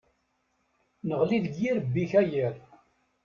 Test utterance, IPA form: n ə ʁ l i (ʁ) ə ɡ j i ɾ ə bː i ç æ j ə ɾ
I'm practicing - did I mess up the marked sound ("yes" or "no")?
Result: yes